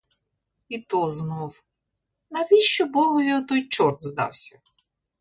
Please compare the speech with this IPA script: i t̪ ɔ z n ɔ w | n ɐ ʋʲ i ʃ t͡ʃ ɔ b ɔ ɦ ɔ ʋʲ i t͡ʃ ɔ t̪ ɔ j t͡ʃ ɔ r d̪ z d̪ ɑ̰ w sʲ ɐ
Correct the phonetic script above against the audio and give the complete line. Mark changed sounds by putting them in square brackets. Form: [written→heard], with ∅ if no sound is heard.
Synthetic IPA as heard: i t̪ ɔ z n ɔ w | n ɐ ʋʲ i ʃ t͡ʃ ɔ b ɔ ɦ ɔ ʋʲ i [t͡ʃ→∅] ɔ t̪ ɔ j t͡ʃ ɔ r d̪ z d̪ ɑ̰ w sʲ ɐ